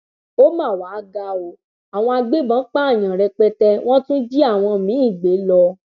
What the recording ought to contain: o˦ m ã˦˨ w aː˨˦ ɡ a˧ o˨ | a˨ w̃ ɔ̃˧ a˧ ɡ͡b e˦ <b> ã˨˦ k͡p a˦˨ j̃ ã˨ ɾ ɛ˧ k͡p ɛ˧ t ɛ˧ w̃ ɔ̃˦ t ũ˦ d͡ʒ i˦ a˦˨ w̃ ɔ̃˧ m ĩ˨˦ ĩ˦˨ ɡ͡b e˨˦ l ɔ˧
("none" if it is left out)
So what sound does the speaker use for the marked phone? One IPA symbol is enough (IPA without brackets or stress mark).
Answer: b